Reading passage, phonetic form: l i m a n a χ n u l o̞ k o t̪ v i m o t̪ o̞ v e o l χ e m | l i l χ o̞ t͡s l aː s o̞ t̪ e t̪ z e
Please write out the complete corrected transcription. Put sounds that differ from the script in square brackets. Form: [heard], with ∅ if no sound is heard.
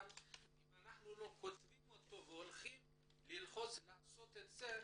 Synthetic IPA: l i m a n a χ n u l o̞ k o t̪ v i m o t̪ o̞ v e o l χ [i] m | l i l χ o̞ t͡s l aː s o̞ t̪ e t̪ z e